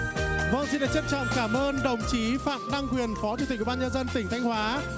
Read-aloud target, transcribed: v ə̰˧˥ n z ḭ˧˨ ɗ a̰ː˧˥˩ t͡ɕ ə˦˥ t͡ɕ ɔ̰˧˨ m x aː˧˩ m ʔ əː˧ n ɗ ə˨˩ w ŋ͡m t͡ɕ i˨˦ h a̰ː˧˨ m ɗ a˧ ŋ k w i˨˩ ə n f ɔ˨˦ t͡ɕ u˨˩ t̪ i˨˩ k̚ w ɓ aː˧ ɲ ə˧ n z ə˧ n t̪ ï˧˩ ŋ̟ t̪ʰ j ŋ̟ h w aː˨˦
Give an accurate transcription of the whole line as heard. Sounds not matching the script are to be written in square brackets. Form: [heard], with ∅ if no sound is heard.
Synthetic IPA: v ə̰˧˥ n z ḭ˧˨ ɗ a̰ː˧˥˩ t͡ɕ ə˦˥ t͡ɕ ɔ̰˧˨ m [k] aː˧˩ m ʔ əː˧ n ɗ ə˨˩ w ŋ͡m t͡ɕ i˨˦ [f] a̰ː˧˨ m ɗ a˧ ŋ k w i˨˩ ə n f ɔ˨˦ t͡ɕ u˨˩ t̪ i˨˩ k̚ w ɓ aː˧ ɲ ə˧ n z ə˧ n t̪ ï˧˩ ŋ̟ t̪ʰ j ŋ̟ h w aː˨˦